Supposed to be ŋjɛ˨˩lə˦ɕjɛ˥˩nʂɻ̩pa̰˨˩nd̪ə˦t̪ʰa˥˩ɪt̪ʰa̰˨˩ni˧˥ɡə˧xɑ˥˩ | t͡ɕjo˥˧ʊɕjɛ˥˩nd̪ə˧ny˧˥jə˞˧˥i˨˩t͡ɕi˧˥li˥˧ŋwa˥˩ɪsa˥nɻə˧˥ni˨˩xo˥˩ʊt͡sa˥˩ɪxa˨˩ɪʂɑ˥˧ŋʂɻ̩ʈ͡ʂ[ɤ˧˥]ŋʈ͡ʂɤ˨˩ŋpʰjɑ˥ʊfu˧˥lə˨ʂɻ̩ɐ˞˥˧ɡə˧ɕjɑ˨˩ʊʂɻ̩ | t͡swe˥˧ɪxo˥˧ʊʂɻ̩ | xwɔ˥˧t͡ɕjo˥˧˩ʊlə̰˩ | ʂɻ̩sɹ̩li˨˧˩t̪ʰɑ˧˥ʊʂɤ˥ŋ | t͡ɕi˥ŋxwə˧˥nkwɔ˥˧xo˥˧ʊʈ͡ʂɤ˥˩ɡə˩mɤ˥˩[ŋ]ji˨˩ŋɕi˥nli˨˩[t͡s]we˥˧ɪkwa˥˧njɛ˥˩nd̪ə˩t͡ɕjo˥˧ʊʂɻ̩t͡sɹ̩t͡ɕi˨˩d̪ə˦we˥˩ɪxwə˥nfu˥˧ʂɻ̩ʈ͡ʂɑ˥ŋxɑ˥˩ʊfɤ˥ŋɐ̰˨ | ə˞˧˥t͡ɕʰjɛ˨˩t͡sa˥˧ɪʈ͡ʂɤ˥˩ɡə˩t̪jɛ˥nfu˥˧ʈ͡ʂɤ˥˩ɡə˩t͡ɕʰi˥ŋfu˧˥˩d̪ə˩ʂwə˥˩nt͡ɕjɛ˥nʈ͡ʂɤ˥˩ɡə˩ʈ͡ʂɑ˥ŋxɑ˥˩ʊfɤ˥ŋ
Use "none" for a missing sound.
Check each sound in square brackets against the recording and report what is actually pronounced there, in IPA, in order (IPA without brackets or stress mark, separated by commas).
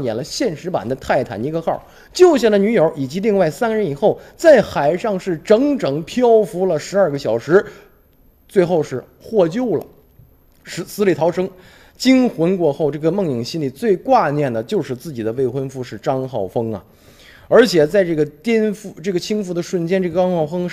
ɤ˧˥, ŋ, t͡s